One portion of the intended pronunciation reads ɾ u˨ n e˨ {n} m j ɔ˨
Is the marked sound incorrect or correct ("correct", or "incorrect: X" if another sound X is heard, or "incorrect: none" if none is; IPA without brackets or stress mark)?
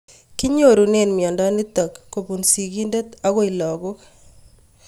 correct